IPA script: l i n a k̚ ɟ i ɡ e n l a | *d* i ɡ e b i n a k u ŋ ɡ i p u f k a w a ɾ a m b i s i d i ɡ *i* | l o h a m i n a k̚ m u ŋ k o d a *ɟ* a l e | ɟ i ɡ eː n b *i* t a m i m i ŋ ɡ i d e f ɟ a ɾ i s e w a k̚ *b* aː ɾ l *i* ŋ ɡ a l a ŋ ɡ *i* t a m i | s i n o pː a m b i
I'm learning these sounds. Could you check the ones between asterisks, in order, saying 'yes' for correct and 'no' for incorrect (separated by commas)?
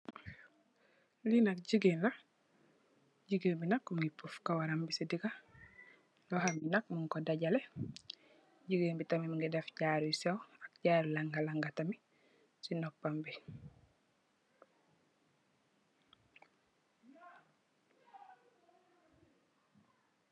no, no, yes, yes, no, no, no